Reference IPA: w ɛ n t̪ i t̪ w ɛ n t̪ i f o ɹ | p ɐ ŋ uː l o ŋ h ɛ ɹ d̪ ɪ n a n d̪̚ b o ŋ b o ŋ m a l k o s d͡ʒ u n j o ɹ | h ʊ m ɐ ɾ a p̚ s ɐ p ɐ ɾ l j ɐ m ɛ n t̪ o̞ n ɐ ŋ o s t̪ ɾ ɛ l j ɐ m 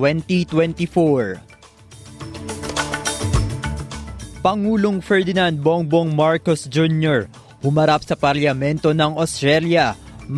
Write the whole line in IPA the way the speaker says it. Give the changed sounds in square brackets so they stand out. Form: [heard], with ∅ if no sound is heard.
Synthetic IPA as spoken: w ɛ n t̪ i t̪ w ɛ n t̪ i f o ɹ | p ɐ ŋ uː l o ŋ [f] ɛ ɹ d̪ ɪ n a n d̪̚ b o ŋ b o ŋ m a [ɹ] k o s d͡ʒ u n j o ɹ | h ʊ m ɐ ɾ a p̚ s ɐ p ɐ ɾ l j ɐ m ɛ n t̪ o̞ n ɐ ŋ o s t̪ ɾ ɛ l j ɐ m